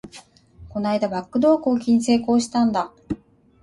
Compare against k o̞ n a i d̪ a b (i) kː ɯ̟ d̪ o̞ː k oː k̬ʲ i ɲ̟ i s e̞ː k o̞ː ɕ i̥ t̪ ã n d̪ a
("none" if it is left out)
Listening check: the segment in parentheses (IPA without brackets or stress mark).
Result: a